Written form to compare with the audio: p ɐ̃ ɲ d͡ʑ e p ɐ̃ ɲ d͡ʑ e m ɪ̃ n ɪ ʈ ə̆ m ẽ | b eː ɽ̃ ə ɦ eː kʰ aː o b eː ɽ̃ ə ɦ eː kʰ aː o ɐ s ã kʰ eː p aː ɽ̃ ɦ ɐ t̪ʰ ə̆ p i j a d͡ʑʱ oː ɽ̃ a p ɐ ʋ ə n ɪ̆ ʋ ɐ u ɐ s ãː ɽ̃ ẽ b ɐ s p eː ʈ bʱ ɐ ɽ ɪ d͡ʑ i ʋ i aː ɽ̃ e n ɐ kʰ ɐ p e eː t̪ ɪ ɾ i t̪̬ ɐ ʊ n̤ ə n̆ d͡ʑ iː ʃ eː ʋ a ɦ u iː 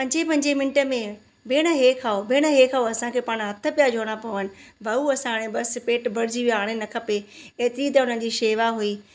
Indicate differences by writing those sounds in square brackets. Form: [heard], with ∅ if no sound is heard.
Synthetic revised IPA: p ɐ̃ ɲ d͡ʑ e p ɐ̃ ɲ d͡ʑ e m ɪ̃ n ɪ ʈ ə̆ m ẽ | b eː ɽ̃ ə ɦ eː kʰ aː o b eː ɽ̃ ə ɦ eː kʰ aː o ɐ s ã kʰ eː p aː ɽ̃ ɦ ɐ t̪ʰ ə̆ p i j a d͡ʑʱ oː ɽ̃ a p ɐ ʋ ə n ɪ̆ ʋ ɐ u ɐ s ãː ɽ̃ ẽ b ɐ s p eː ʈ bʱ ɐ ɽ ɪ d͡ʑ i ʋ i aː ɽ̃ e n ɐ kʰ ɐ p e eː t̪ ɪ ɾ i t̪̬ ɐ ʊ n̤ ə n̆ d͡ʑ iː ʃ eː ʋ a ɦ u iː